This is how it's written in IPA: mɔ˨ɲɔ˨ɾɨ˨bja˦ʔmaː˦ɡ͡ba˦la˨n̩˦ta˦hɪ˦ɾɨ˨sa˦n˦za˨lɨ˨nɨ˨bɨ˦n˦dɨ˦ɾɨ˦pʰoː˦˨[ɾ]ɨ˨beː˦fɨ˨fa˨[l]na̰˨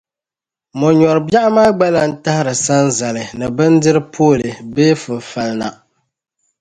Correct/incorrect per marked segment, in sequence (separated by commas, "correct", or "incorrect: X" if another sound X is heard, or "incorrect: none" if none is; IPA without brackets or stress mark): incorrect: l, correct